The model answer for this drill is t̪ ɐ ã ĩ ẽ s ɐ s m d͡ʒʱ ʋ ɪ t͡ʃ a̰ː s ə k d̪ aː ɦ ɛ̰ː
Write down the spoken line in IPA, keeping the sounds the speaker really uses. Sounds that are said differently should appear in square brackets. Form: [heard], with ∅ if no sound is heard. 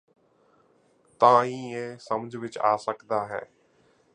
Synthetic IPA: t̪ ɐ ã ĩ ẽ s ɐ [∅] m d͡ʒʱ ʋ ɪ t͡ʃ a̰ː s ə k d̪ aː ɦ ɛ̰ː